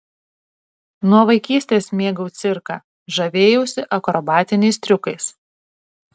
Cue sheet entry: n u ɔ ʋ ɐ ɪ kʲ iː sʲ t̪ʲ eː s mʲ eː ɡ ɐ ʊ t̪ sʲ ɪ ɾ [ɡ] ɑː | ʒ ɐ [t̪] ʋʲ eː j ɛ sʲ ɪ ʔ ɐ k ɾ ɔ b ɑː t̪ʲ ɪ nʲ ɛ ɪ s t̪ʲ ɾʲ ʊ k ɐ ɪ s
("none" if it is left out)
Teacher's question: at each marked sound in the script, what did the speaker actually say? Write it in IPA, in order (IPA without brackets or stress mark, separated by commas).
k, none